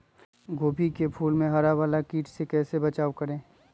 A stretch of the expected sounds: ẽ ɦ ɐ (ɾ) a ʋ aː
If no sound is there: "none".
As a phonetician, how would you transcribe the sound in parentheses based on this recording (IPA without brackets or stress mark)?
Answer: ɾ